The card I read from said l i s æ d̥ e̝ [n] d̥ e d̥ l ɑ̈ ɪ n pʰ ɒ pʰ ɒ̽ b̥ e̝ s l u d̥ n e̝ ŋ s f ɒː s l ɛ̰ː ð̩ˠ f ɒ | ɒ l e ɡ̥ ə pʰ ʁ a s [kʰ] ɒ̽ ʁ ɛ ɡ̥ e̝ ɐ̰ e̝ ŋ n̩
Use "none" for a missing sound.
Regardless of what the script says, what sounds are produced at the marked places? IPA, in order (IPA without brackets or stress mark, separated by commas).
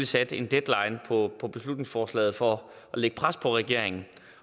n, pʰ